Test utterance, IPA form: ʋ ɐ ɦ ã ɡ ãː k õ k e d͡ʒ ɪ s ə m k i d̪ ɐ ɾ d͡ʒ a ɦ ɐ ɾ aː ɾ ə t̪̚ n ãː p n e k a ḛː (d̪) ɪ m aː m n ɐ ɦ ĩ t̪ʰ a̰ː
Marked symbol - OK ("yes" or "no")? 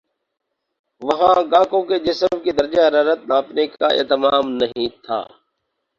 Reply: no